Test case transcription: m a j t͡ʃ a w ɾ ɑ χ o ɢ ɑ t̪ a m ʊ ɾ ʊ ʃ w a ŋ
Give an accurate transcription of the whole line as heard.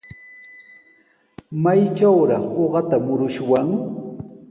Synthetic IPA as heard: m a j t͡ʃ a w ɾ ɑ χ o ɢ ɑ t̪ a m ʊ ɾ ʊ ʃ w a ŋ